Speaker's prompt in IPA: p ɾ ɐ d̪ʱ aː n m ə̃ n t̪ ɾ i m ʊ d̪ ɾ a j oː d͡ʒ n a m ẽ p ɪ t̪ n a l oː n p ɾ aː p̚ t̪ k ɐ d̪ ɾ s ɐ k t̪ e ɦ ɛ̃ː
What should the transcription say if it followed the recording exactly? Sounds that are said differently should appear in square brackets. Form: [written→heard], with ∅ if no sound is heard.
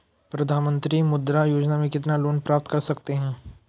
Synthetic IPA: p ɾ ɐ d̪ʱ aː n m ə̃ n t̪ ɾ i m ʊ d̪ ɾ a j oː d͡ʒ n a m ẽ [p→k] ɪ t̪ n a l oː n p ɾ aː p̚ t̪ k ɐ [d̪→∅] ɾ s ɐ k t̪ e ɦ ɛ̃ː